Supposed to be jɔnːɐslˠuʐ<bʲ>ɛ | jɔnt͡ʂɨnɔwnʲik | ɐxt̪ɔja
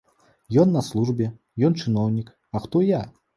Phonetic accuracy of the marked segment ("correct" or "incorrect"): correct